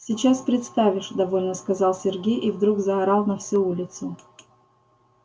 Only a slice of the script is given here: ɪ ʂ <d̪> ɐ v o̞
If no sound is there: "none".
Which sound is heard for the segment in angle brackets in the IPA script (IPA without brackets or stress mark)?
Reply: d̪